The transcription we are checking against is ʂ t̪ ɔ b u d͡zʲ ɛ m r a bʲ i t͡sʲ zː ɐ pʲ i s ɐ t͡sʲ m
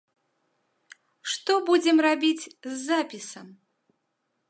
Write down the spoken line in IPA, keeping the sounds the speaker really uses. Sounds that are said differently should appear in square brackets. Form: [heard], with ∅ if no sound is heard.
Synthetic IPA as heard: ʂ t̪ ɔ b u d͡zʲ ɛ m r a bʲ i t͡sʲ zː [a] pʲ i s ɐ [∅] m